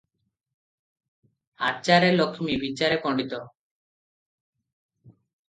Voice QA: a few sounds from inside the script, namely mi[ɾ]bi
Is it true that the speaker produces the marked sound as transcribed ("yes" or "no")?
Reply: no